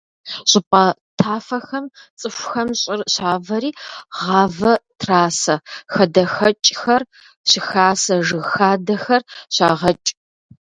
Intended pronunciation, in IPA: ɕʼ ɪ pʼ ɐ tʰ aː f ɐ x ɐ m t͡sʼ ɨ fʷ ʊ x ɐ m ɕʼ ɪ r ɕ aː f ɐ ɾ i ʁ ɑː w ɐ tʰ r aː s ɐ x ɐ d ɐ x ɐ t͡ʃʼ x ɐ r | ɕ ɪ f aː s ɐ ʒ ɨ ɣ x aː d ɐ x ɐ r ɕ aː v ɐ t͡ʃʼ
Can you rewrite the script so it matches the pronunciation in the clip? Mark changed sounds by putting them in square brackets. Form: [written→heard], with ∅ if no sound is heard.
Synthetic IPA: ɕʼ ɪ pʼ ɐ tʰ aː f ɐ x ɐ m t͡sʼ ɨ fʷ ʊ x ɐ m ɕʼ ɪ r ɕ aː [f→v] ɐ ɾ [i→iː] ʁ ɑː [w→v] ɐ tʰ r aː s ɐ x ɐ d ɐ x ɐ t͡ʃʼ x ɐ r | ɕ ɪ [f→x] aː s ɐ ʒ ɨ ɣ x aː d ɐ x ɐ r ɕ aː [v→ʁ] ɐ t͡ʃʼ